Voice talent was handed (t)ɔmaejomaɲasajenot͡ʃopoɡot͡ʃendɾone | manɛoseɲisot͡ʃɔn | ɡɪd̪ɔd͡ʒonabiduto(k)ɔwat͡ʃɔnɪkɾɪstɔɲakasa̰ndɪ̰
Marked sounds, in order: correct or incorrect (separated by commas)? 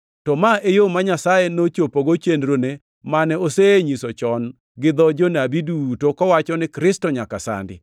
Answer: correct, correct